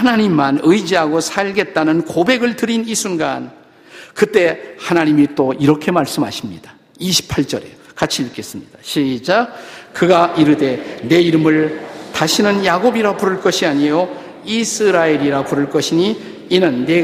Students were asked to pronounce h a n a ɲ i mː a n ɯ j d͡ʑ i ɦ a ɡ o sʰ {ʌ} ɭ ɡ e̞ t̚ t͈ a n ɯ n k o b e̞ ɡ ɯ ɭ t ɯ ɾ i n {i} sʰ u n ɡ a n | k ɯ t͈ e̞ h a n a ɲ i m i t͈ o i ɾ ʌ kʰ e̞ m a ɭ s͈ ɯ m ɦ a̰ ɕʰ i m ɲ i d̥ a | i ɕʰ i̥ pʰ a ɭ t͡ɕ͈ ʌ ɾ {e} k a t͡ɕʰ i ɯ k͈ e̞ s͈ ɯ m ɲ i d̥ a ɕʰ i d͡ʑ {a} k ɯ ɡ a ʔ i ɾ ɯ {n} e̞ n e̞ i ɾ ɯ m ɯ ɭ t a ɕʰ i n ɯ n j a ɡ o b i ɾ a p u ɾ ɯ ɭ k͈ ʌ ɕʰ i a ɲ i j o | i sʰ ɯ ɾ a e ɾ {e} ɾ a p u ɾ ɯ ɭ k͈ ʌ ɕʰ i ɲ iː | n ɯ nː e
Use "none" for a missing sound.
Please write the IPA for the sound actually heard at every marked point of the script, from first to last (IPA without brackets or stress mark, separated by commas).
a, i, e, a, d, i